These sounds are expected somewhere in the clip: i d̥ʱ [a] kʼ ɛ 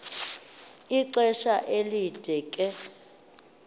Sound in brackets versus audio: incorrect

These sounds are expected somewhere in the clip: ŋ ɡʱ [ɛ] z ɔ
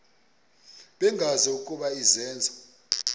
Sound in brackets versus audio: incorrect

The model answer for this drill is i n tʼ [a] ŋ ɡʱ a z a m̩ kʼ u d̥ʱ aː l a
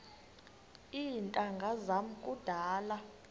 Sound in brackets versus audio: correct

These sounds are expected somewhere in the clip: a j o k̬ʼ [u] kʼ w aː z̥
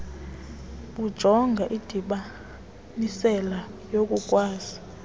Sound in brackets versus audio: correct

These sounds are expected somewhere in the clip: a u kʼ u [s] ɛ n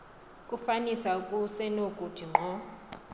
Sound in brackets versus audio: correct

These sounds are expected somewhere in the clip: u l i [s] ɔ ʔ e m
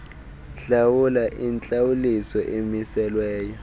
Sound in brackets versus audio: correct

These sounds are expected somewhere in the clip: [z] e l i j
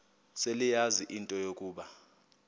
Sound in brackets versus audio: incorrect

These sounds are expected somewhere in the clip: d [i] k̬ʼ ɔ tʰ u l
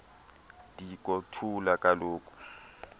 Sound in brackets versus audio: correct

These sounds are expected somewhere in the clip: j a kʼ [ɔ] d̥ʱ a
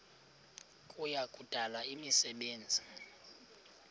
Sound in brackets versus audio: incorrect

